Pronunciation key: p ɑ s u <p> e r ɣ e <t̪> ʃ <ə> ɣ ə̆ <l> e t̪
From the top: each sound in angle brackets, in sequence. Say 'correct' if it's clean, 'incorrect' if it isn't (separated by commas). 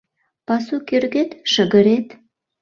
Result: incorrect, correct, correct, incorrect